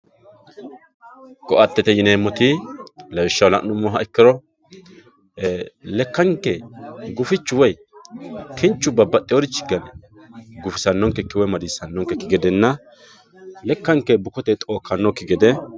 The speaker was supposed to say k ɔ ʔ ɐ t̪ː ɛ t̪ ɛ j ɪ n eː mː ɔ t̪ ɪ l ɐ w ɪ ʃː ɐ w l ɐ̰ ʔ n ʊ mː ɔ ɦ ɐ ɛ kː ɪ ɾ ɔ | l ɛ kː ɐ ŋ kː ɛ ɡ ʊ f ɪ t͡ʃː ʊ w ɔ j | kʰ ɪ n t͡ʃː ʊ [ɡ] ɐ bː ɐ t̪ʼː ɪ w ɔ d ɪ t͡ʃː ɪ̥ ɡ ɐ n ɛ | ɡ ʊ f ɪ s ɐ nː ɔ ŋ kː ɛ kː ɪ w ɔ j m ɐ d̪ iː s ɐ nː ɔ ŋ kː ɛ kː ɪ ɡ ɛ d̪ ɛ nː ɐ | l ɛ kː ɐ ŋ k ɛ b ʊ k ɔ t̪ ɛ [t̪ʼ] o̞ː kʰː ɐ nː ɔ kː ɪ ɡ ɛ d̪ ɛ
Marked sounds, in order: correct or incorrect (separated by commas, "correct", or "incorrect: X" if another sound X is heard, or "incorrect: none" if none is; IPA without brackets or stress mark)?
incorrect: b, correct